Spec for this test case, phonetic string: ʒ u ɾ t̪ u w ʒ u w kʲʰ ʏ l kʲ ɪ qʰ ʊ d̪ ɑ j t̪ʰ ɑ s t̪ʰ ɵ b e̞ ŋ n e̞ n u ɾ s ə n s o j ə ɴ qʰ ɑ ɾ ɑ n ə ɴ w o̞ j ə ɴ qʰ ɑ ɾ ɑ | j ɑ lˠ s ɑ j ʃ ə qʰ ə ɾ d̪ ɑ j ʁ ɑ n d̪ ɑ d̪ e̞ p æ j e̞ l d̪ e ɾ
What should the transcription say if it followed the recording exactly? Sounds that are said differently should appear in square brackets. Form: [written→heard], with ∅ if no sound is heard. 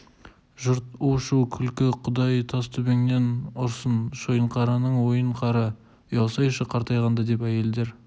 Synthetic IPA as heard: ʒ [u→ʊ] ɾ t̪ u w [ʒ→ʃ] u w kʲʰ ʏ l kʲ ɪ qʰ ʊ d̪ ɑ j t̪ʰ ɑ s t̪ʰ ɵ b e̞ ŋ n e̞ n [u→ʊ] ɾ s ə n [s→ʃ] o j ə ɴ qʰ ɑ ɾ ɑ n ə ɴ w o̞ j ə ɴ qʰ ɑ ɾ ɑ | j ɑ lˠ s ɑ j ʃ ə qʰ [ə→ɑ] ɾ [d̪→t̪] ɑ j ʁ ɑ n d̪ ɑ d̪ e̞ p æ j e̞ l d̪ e ɾ